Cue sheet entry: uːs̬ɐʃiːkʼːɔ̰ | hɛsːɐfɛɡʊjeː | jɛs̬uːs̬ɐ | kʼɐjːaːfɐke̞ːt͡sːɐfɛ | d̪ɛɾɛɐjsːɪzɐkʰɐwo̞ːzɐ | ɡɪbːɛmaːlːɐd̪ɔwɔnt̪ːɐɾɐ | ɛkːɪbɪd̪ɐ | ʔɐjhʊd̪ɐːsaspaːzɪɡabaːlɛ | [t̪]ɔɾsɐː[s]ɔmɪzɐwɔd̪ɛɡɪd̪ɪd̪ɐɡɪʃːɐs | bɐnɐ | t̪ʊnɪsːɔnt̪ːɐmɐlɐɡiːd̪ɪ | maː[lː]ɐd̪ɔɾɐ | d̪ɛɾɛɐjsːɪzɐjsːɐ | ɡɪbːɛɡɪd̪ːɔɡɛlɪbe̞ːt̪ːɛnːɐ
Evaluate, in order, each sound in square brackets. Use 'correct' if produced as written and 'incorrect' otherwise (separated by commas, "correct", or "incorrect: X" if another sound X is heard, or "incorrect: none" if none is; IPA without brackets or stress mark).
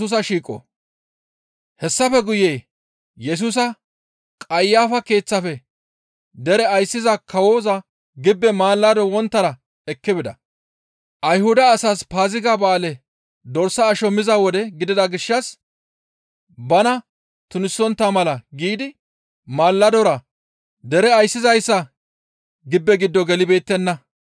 incorrect: d̪, incorrect: ʃ, correct